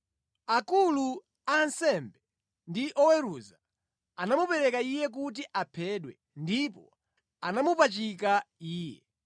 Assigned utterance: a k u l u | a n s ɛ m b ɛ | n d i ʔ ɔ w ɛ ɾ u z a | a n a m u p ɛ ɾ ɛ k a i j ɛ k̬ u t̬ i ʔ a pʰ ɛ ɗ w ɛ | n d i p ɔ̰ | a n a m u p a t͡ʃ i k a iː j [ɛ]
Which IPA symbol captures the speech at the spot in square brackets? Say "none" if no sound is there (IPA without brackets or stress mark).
ɛ